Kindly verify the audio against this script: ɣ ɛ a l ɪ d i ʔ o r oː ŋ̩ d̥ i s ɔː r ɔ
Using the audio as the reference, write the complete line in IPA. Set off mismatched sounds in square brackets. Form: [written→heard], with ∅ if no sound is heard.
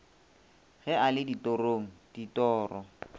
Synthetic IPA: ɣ ɛ a l ɪ d i [ʔ→t] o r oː ŋ̩ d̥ i [s→t] ɔː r ɔ